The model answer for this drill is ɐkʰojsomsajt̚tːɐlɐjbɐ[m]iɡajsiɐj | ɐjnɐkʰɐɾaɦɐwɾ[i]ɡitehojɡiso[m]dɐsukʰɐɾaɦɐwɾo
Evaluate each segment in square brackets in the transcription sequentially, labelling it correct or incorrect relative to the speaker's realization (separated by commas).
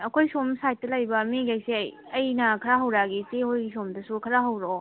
correct, incorrect, correct